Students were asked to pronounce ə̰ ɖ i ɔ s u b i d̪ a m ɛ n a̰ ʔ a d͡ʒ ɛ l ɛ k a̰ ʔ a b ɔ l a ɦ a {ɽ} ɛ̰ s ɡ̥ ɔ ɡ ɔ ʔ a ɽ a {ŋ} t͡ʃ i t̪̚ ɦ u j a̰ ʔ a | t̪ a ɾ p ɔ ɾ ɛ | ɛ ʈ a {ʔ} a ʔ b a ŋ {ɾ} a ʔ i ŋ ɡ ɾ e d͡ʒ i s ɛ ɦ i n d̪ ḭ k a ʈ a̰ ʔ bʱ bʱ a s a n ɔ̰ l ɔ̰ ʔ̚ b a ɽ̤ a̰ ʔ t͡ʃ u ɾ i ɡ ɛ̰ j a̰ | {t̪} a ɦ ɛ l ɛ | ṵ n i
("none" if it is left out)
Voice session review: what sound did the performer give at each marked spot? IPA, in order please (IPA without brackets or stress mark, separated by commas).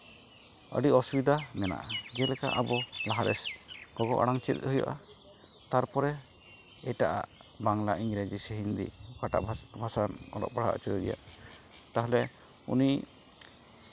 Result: ɾ, ŋ, ʔ, l, t̪